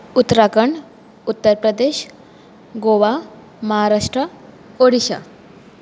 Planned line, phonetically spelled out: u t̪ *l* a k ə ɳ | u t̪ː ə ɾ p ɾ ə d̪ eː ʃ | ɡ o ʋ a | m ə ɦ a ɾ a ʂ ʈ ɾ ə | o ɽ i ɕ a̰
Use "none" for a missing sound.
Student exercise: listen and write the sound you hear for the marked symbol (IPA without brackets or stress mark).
ɾ